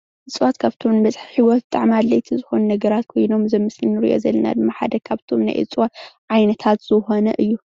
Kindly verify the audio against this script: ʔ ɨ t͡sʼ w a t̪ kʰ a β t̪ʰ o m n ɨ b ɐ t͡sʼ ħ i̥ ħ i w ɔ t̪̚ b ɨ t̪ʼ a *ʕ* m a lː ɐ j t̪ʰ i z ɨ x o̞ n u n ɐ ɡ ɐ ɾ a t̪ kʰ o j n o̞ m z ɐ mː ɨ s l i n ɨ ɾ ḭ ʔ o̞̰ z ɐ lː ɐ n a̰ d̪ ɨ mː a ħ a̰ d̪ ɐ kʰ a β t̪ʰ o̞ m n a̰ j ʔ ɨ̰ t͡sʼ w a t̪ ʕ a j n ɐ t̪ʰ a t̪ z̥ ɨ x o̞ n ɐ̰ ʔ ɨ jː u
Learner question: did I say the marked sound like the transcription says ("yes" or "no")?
yes